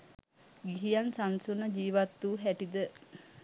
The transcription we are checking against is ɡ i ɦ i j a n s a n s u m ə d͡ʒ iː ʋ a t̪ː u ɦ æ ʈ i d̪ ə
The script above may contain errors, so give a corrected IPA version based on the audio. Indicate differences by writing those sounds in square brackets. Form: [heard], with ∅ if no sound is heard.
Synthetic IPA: ɡ i ɦ i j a n s a n s u [n] ə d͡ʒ iː ʋ a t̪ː u ɦ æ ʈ i d̪ ə